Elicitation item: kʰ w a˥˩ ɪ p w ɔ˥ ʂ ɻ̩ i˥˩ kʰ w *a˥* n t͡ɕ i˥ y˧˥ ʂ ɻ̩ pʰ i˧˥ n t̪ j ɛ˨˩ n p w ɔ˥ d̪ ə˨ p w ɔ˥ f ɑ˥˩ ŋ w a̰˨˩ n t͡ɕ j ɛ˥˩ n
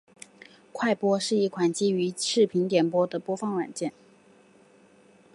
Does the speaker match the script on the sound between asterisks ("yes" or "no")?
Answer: no